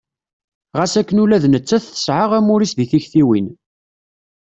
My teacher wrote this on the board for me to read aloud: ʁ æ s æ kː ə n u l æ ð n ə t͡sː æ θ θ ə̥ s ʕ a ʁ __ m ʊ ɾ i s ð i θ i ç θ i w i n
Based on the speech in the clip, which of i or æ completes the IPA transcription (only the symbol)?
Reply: æ